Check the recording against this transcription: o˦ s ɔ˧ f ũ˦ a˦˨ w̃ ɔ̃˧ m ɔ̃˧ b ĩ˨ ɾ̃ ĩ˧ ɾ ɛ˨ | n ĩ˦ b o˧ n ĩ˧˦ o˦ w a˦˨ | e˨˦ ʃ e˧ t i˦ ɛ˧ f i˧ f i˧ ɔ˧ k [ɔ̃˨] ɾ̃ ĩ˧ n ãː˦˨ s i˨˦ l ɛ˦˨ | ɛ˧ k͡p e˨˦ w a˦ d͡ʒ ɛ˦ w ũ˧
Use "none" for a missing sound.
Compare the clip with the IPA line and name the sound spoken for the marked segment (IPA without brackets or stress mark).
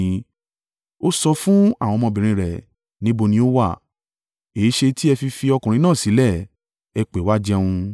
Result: ũ˨